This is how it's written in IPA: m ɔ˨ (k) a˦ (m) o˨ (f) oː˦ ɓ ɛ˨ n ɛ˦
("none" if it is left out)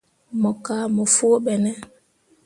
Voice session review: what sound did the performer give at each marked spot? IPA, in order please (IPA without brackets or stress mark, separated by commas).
k, m, f